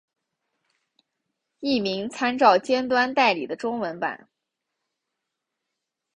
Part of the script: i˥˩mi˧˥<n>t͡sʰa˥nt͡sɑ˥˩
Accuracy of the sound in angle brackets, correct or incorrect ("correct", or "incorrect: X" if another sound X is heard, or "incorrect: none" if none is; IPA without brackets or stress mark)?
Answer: incorrect: ŋ